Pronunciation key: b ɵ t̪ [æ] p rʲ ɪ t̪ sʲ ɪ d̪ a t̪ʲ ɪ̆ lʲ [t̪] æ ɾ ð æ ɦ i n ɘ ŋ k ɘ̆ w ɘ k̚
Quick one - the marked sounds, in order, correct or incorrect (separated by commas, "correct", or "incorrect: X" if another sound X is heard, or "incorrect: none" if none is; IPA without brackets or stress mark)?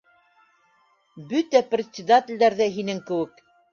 correct, incorrect: d̪